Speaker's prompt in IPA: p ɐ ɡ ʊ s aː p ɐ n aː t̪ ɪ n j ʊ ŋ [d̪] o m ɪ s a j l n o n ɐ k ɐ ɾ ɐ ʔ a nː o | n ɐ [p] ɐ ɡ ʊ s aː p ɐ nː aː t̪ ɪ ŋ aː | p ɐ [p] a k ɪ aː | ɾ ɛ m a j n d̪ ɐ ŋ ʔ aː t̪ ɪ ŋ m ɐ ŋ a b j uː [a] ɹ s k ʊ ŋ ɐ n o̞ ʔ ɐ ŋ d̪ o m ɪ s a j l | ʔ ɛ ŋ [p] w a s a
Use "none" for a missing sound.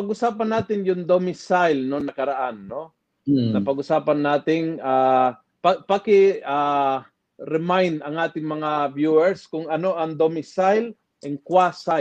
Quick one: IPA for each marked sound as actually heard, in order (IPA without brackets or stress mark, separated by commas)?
d̪, p, p, ɛ, k